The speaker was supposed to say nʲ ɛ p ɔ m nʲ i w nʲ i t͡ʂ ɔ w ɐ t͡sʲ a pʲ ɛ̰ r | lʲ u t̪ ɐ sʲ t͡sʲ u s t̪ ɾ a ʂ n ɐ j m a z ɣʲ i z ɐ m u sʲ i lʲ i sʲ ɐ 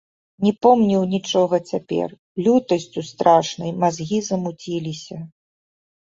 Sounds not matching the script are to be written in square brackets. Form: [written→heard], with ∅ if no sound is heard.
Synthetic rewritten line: nʲ ɛ p ɔ m nʲ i w nʲ i t͡ʂ ɔ [w→ɣ] ɐ t͡sʲ a pʲ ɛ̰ r | lʲ u t̪ ɐ sʲ t͡sʲ u s t̪ ɾ a ʂ n ɐ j m a z ɣʲ i z ɐ m u [sʲ→t͡sʲ] i lʲ i sʲ ɐ

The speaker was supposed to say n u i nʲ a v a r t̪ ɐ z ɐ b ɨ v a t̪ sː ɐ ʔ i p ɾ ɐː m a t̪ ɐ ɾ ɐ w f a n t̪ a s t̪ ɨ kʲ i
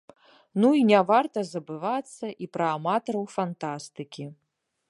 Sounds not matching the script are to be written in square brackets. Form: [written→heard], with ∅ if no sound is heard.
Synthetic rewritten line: n u i nʲ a v a r t̪ ɐ z ɐ b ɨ v a t̪ sː ɐ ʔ i p ɾ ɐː m a t̪ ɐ ɾ ɐ w f a n t̪ a s t̪ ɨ kʲ i

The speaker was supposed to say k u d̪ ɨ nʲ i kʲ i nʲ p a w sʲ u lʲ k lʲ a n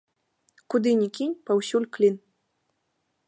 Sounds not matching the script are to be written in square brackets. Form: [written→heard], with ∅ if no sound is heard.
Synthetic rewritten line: k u d̪ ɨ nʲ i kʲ i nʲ p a w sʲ u lʲ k lʲ [a→i] n

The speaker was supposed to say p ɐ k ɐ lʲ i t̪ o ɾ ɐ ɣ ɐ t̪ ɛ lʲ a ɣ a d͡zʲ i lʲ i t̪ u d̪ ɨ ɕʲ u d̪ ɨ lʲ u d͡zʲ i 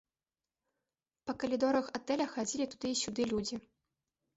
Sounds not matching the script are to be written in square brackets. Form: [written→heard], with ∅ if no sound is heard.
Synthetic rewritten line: p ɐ k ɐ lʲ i [t̪→d̪] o ɾ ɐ [ɣ→x] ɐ t̪ ɛ lʲ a [ɣ→x] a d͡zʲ i lʲ i t̪ u d̪ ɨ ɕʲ u d̪ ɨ lʲ u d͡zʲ i

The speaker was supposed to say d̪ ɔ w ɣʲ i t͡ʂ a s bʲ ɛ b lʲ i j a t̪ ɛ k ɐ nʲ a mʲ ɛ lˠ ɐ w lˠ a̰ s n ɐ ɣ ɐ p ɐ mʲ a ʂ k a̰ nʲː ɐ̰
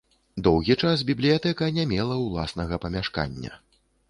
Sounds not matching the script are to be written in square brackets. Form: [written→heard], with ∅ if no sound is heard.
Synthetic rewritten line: d̪ ɔ w ɣʲ i t͡ʂ a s bʲ [ɛ→i] b lʲ i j a t̪ ɛ k ɐ nʲ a mʲ ɛ lˠ ɐ w lˠ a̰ s n ɐ ɣ ɐ p ɐ mʲ a ʂ k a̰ nʲː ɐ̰

